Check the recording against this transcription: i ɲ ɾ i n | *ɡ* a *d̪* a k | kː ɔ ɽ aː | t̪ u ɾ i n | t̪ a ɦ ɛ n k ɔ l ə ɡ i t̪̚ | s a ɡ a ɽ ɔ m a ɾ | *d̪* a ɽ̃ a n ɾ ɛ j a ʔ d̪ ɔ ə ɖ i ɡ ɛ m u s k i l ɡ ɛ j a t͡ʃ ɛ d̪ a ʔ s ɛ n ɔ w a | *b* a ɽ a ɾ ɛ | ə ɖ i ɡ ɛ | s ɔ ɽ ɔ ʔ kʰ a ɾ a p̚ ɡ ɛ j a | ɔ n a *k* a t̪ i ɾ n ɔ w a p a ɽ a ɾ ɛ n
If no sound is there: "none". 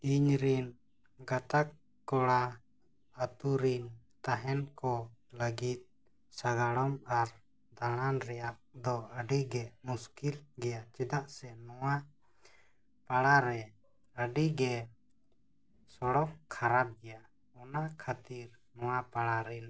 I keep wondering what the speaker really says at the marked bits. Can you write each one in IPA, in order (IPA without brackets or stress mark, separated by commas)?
ɡ, t̪, d̪, p, kʰ